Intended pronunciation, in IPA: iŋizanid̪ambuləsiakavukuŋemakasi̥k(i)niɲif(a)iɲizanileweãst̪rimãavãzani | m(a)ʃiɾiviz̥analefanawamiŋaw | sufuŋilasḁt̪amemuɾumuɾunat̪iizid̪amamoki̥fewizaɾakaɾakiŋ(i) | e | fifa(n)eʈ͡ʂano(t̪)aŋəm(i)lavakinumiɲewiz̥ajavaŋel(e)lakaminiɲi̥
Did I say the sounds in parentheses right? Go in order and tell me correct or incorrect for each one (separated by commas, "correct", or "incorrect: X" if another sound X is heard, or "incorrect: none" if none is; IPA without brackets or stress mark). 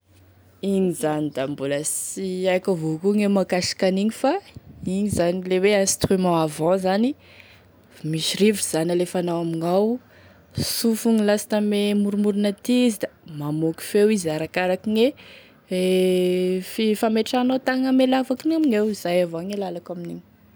incorrect: a, correct, incorrect: i, incorrect: e, incorrect: m, correct, incorrect: e, incorrect: a